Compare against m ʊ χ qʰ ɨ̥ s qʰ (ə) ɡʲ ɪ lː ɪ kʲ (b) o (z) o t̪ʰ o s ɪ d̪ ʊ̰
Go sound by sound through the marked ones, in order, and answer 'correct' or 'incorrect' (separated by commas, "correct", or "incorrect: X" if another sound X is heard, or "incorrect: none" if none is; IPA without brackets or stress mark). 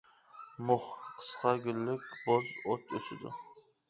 incorrect: ɑ, correct, correct